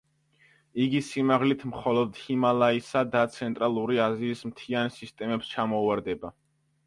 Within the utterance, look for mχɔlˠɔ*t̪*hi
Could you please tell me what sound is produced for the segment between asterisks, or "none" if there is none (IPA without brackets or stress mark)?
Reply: d̪